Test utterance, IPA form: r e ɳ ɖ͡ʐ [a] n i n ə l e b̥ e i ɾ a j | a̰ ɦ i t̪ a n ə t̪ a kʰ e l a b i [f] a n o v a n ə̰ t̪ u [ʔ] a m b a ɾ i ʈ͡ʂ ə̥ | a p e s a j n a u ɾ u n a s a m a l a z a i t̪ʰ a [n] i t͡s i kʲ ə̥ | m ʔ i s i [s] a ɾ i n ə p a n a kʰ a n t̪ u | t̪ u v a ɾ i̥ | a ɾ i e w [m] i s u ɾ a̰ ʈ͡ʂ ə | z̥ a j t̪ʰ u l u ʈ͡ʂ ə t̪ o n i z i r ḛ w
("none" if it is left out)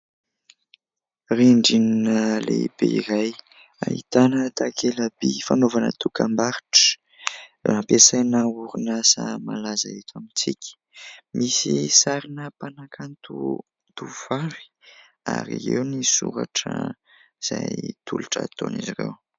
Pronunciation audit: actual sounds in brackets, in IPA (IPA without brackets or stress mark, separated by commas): i, f, k, m, s, n